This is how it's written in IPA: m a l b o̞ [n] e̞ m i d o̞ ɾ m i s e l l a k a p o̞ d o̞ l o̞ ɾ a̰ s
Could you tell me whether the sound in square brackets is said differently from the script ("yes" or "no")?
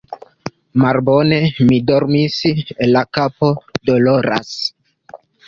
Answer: no